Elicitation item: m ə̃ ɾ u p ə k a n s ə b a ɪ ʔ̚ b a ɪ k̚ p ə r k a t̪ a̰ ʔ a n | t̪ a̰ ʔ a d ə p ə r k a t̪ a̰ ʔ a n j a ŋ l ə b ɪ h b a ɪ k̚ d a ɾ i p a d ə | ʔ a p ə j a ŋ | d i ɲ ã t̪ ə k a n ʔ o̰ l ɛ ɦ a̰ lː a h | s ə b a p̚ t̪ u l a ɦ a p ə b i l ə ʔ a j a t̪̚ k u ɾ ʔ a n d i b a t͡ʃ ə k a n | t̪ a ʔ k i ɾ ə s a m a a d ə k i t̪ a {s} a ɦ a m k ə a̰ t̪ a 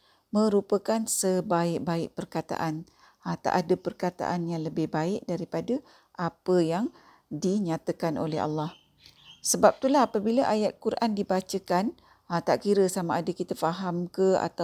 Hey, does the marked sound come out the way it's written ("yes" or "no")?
no